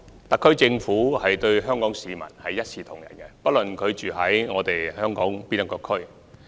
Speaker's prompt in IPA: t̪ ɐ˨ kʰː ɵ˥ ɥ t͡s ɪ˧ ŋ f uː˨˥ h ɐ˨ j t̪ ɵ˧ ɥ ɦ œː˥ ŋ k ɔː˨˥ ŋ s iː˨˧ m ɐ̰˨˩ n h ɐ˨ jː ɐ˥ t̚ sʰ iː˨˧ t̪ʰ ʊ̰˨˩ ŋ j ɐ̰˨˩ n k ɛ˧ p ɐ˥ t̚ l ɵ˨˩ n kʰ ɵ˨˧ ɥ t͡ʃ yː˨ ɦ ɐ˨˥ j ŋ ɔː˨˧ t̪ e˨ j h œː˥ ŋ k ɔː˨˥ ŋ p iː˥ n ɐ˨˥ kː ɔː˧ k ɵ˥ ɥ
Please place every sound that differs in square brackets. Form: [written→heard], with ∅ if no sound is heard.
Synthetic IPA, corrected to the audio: t̪ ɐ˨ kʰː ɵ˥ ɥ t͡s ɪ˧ ŋ f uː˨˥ h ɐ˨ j t̪ ɵ˧ ɥ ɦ œː˥ ŋ k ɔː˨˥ ŋ s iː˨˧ m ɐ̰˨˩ n h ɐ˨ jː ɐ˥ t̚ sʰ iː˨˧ t̪ʰ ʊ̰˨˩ ŋ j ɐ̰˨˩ n k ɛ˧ p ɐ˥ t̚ l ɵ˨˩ n kʰ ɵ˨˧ ɥ t͡ʃ yː˨ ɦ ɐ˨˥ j ŋ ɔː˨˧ t̪ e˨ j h œː˥ ŋ k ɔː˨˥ ŋ p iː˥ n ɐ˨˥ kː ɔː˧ [k→kʰ] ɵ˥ ɥ